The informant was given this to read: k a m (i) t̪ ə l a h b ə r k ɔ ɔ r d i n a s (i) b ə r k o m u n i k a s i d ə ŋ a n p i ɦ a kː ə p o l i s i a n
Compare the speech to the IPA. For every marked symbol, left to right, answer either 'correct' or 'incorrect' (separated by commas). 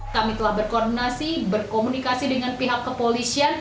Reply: correct, correct